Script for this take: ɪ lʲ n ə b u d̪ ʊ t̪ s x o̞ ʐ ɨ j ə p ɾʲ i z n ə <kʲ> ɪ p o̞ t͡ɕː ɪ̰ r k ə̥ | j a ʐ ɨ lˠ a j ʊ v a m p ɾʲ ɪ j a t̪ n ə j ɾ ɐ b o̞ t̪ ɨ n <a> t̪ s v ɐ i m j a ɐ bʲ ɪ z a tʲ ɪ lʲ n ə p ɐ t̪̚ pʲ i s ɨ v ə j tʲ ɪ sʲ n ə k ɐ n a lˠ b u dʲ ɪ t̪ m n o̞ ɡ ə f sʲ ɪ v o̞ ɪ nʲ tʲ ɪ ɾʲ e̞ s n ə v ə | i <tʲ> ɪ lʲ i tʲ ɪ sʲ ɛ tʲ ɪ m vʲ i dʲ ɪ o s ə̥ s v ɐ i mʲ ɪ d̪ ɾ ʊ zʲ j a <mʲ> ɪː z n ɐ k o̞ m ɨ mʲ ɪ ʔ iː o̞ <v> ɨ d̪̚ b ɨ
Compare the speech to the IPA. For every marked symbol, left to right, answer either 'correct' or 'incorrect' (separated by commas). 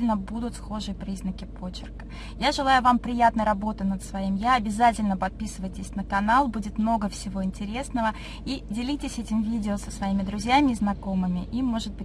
correct, incorrect, incorrect, correct, incorrect